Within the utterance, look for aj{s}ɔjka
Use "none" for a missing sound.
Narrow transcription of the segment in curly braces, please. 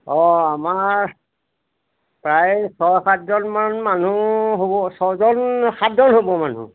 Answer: s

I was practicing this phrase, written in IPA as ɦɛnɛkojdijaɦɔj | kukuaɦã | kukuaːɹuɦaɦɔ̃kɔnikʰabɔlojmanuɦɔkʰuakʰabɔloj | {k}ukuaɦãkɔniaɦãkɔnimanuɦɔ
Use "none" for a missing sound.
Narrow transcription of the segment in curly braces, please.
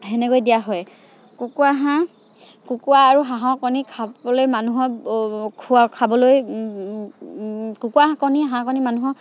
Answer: k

